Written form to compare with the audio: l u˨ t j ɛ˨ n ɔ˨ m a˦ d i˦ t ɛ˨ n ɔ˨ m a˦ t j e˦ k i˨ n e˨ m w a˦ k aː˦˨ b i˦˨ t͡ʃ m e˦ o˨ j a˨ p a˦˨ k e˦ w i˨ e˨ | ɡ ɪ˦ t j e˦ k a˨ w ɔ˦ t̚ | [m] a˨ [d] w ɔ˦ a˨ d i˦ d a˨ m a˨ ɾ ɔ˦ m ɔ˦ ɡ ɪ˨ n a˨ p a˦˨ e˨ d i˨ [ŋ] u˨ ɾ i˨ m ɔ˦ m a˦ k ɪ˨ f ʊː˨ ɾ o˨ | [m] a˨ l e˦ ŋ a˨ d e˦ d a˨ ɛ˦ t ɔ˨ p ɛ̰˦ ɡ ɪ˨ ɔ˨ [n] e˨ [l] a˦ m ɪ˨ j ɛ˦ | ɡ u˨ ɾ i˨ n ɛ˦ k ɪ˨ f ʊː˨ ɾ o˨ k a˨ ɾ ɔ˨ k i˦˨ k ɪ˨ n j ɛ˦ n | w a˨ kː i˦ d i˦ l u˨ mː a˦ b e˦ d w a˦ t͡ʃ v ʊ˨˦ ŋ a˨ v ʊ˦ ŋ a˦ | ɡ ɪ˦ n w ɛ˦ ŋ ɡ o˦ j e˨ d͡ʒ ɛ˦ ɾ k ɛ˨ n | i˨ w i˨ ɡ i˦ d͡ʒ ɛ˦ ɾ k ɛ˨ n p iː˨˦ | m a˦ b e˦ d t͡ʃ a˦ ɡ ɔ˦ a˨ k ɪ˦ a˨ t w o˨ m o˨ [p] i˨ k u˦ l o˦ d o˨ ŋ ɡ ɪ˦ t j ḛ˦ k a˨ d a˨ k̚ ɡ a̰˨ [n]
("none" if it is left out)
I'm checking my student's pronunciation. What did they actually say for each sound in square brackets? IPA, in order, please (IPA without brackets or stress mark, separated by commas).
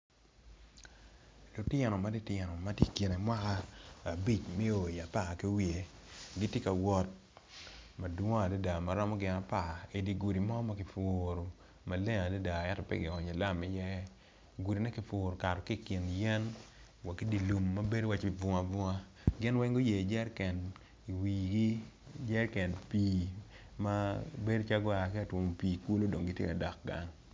m, d, ɡ, m, ɲ, l, p, ŋ